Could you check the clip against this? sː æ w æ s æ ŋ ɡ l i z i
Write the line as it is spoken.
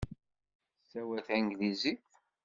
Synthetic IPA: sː æ w æ θ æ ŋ ɡ l i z i

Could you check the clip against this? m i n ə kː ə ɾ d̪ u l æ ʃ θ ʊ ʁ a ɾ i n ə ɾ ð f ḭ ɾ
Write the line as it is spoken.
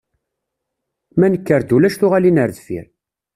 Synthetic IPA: m æ n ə kː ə ɾ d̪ u l æ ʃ θ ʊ ʁ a l i n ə ɾ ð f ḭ ɾ

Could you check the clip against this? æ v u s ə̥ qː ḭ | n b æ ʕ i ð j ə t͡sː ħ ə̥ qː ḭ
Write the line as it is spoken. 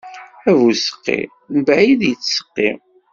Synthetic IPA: æ v u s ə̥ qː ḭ | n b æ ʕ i ð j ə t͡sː s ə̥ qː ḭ

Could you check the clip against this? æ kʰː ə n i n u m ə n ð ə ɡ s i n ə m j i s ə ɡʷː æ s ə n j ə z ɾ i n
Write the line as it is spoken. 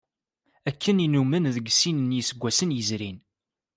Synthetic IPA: æ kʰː ə n i n u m ə n ð ə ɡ s i n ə n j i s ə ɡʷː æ s ə n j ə z ɾ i n

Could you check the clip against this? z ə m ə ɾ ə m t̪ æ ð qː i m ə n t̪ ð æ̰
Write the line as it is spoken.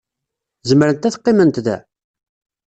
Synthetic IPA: z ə m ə ɾ ə n t̪ æ θ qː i m ə n t̪ ð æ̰

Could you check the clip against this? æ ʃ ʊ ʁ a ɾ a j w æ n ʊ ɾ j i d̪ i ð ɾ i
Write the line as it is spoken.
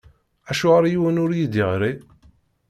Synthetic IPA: æ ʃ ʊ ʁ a ɾ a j w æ n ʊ ɾ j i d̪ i ʁ ɾ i

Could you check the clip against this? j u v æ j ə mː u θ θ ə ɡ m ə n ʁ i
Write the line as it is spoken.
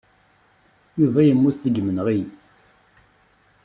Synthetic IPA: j u v æ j ə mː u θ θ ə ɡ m ə n ʁ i

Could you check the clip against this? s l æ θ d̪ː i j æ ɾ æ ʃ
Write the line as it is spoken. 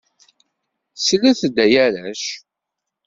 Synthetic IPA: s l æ θ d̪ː æ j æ ɾ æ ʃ

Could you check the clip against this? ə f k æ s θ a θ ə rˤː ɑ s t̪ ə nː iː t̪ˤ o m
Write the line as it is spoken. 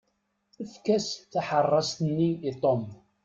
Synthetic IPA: ə f k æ s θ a ħ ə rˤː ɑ s t̪ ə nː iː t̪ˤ o m

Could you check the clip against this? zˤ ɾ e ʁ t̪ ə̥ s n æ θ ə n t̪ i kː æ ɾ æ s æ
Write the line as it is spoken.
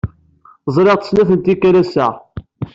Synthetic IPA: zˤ ɾ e ʁ t̪ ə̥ s n æ θ ə n t̪ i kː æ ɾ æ s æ

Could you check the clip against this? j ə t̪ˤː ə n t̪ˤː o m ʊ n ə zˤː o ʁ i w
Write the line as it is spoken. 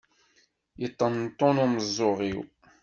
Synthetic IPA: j ə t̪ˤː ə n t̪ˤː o n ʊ m ə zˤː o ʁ i w

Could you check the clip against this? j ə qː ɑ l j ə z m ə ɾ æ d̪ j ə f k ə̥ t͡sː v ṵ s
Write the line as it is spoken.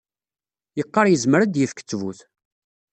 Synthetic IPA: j ə qː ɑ ɾ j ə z m ə ɾ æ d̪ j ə f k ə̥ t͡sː v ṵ θ

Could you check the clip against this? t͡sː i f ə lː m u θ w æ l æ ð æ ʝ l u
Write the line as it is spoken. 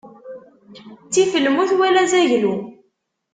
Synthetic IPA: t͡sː i f ə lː m u θ w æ l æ z æ ʝ l u

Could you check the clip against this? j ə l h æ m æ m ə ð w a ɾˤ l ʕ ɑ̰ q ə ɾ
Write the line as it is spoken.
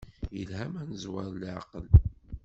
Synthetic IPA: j ə l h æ m æ n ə z w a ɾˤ l ʕ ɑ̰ q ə l

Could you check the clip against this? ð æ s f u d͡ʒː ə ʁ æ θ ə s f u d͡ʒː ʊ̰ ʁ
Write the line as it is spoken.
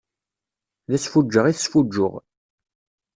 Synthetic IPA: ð æ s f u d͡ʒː ə ʁ i θ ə s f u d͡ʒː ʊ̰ ʁ

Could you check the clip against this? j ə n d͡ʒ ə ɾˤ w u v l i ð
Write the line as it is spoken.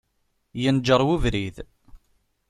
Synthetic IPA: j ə n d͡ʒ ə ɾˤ w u v ɾ i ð

